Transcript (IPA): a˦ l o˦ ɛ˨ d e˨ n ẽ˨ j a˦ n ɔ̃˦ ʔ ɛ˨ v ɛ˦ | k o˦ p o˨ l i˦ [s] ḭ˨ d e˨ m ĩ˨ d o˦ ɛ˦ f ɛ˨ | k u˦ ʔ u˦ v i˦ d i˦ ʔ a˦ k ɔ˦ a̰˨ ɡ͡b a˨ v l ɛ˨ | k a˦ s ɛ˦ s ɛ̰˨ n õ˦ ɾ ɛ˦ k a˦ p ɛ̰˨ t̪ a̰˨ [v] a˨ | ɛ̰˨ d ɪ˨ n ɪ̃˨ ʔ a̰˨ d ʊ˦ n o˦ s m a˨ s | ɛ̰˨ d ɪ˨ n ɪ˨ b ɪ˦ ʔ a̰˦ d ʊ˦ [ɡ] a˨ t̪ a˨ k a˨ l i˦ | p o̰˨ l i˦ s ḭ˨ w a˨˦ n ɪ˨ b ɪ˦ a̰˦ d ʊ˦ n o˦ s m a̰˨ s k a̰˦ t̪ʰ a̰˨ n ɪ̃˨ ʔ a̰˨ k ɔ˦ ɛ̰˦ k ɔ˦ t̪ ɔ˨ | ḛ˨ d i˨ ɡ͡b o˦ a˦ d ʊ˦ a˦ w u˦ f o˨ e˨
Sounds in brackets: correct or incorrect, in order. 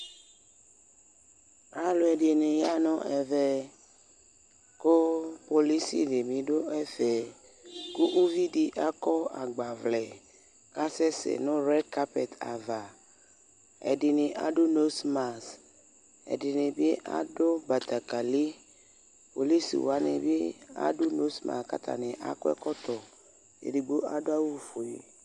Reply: correct, correct, incorrect

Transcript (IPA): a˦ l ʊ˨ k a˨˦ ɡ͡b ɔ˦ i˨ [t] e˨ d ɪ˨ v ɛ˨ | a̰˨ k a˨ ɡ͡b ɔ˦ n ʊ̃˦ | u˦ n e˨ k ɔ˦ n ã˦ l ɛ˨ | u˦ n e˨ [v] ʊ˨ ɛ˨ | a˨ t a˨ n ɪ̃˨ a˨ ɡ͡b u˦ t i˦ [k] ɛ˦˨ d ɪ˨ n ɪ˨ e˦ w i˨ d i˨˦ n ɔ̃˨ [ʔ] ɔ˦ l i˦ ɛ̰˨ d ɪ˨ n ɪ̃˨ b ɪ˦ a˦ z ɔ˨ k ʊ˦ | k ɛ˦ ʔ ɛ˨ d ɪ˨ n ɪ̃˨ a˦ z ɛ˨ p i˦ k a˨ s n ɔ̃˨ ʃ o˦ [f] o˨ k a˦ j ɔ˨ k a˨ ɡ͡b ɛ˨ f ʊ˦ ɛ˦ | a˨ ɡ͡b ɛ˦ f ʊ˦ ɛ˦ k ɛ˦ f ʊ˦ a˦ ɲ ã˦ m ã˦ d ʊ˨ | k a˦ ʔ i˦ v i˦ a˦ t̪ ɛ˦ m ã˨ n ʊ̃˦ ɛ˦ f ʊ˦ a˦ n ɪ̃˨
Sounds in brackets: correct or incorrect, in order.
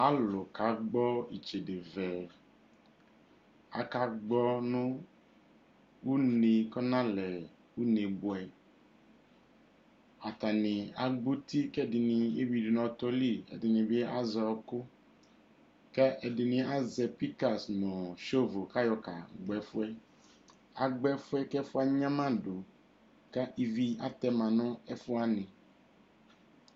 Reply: incorrect, incorrect, correct, incorrect, incorrect

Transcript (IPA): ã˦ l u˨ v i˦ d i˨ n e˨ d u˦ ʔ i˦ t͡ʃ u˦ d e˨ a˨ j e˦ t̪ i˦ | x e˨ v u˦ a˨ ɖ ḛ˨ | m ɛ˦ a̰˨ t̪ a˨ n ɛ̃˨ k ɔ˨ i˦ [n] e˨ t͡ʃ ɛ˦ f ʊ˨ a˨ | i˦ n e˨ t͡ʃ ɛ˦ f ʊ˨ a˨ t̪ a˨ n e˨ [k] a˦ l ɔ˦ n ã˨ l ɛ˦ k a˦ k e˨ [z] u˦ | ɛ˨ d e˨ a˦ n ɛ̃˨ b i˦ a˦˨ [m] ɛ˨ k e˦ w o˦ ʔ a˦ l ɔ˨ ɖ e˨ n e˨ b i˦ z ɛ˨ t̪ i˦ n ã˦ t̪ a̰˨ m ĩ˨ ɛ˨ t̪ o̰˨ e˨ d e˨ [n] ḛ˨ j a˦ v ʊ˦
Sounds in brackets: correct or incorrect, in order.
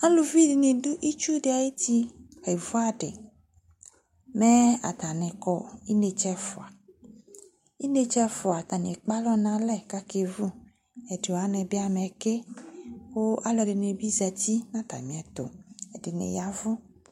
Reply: correct, incorrect, incorrect, correct, correct

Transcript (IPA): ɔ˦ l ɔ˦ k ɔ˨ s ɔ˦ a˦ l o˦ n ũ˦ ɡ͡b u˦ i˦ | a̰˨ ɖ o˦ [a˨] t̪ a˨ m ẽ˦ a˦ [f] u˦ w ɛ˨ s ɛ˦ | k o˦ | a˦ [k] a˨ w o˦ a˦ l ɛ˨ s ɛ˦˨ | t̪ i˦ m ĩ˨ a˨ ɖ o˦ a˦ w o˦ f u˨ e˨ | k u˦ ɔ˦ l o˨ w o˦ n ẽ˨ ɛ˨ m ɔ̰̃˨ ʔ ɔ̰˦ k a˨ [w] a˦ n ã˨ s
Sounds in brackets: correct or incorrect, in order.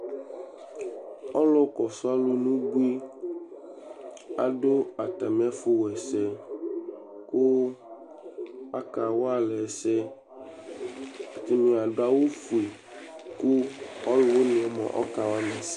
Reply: correct, correct, correct, correct

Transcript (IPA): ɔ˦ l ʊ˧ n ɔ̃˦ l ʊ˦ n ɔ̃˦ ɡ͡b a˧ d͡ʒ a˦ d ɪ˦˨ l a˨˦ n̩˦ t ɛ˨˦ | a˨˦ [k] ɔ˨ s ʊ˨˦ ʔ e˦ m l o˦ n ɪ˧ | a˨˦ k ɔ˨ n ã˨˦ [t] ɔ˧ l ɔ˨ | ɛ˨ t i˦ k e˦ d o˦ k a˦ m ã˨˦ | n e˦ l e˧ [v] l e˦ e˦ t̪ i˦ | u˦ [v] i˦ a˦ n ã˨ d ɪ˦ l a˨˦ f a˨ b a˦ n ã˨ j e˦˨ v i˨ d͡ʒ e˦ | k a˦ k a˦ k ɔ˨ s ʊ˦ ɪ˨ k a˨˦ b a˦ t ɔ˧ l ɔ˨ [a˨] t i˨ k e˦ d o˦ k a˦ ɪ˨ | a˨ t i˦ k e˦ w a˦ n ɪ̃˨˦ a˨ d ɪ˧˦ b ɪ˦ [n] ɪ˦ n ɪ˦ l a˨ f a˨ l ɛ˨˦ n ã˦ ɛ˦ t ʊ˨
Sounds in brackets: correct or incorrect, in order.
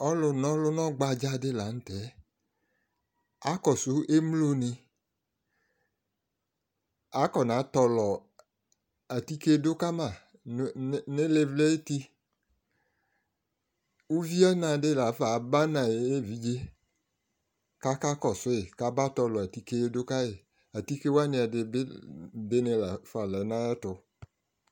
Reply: correct, correct, correct, correct, correct, incorrect

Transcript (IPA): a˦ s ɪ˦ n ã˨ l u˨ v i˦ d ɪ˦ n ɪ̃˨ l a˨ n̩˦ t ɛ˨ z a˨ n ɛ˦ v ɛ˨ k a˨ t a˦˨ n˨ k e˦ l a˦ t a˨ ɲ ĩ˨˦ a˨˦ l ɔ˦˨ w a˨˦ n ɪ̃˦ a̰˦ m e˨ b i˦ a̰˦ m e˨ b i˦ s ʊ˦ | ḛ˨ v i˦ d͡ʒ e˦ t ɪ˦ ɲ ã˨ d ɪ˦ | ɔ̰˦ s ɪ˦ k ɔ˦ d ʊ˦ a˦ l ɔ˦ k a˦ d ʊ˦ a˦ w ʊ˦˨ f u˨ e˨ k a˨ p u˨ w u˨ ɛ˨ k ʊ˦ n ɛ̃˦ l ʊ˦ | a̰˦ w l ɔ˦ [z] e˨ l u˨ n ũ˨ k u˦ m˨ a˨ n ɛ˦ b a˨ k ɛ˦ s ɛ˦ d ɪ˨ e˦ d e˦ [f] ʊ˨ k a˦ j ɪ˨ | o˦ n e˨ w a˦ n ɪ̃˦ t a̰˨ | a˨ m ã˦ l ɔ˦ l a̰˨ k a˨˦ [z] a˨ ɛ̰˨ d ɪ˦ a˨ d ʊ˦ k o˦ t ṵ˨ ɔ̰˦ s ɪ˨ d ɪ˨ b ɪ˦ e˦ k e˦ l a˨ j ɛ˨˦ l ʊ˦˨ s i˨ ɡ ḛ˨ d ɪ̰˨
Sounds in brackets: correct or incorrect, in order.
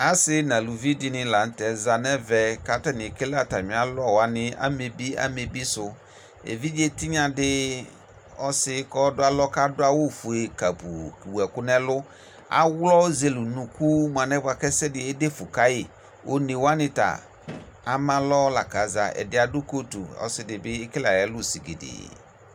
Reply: correct, correct, correct

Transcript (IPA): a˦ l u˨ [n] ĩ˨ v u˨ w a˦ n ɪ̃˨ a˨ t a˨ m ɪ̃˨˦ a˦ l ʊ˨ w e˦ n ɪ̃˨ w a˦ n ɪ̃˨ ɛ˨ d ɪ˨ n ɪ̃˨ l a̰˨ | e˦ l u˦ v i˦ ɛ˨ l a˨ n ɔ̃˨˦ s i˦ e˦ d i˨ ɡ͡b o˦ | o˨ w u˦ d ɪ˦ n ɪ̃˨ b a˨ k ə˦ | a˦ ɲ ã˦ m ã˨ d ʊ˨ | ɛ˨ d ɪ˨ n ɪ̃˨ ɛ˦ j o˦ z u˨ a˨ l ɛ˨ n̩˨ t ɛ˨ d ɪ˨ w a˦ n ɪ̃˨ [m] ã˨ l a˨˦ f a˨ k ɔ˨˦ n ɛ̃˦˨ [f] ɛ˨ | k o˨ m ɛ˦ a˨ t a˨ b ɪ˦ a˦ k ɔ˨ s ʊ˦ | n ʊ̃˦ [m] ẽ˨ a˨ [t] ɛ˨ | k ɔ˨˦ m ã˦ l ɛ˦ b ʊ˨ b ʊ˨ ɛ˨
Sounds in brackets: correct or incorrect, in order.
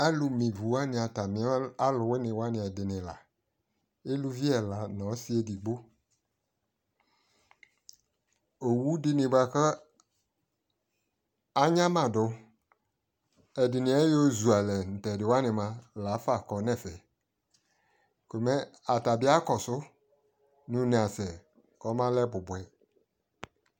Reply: incorrect, correct, correct, incorrect, incorrect

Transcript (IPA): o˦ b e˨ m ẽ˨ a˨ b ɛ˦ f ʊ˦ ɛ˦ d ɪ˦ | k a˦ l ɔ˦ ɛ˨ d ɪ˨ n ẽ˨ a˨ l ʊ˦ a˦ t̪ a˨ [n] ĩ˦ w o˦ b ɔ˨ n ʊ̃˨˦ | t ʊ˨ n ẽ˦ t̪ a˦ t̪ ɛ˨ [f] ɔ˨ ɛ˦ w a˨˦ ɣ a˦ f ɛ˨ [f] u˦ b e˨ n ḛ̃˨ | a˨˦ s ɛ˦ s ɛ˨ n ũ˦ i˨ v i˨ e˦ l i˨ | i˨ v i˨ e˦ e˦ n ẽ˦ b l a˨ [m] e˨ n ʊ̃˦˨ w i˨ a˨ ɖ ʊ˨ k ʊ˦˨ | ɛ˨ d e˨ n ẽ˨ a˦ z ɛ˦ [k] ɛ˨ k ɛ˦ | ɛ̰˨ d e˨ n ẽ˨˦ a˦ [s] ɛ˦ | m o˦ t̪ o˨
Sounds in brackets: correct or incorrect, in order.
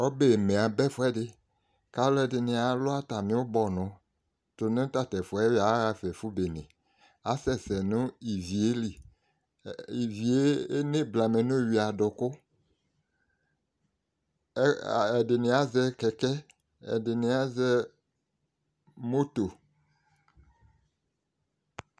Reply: incorrect, correct, correct, correct, correct, incorrect

